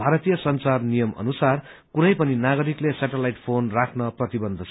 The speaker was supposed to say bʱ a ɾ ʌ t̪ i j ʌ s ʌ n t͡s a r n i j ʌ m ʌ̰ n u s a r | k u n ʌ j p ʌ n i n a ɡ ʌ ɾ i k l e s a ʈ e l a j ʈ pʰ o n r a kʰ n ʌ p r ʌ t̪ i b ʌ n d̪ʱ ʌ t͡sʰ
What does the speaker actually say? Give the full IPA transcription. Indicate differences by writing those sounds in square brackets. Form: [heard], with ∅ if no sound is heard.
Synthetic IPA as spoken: bʱ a ɾ ʌ t̪ i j ʌ s ʌ n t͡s a r n i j ʌ m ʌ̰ n u s a r | k u n ʌ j p ʌ n i n a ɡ ʌ ɾ i k l e s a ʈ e l a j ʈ pʰ o n r a kʰ n ʌ p r ʌ t̪ i b ʌ n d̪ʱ ʌ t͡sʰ